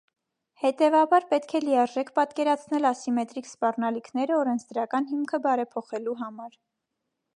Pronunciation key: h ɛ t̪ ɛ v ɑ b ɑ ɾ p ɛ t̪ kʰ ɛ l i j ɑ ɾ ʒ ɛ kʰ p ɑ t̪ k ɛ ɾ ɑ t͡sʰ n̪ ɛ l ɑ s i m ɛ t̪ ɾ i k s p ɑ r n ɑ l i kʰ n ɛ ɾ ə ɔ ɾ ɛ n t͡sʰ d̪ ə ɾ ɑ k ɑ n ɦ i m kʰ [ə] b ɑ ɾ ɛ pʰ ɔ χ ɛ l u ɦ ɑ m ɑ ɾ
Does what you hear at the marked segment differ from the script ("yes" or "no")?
no